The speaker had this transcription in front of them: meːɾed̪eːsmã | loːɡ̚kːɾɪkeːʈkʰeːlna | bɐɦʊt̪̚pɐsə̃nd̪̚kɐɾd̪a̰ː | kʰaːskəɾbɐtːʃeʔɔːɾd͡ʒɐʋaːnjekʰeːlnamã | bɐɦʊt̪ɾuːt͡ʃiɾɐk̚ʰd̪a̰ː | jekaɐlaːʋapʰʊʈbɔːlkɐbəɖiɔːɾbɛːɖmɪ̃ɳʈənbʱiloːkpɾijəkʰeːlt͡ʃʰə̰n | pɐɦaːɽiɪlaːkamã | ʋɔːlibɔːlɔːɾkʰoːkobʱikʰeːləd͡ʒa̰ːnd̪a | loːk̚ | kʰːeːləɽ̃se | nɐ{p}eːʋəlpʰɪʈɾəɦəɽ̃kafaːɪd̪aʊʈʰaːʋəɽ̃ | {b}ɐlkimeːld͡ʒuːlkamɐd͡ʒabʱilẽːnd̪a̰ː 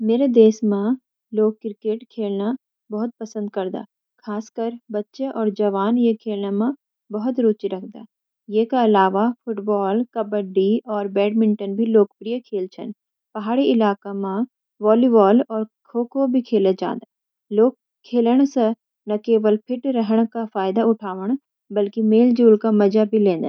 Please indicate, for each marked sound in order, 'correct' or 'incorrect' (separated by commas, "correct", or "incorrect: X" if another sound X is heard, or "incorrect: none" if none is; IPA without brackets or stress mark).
incorrect: k, correct